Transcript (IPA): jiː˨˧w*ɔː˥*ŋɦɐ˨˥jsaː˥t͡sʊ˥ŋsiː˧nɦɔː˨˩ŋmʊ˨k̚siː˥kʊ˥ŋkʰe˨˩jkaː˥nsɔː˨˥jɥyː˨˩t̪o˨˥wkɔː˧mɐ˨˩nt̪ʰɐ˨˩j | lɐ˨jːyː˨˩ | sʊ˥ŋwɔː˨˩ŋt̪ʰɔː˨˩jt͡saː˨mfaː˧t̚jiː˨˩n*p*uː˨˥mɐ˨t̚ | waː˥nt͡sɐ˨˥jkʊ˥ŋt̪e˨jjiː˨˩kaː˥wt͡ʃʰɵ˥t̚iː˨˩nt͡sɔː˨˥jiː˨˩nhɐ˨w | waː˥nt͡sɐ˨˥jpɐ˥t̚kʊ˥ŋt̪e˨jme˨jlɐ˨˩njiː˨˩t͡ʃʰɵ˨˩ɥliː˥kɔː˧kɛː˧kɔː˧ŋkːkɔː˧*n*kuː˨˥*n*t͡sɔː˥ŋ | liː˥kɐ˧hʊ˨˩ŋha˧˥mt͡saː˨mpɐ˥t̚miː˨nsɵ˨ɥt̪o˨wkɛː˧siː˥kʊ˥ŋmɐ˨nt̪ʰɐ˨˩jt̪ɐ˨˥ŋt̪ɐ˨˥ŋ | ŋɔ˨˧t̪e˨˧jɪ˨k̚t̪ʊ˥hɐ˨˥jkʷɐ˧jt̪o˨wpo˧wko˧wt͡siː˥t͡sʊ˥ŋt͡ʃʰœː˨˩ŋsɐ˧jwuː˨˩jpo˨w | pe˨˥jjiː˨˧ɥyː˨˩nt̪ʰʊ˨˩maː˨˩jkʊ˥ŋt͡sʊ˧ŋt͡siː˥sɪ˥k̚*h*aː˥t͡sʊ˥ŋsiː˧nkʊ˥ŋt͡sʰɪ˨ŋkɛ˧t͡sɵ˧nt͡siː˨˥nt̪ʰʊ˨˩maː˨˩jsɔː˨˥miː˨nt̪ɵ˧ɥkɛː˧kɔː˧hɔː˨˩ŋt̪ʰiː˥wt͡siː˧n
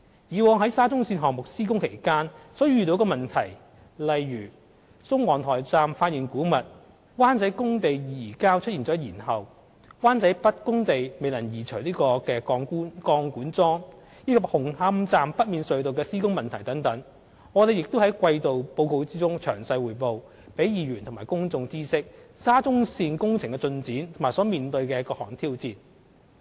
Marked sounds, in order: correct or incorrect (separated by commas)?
incorrect, incorrect, incorrect, correct, incorrect